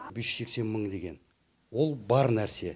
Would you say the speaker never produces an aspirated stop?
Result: yes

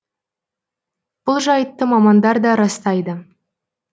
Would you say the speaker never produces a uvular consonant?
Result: yes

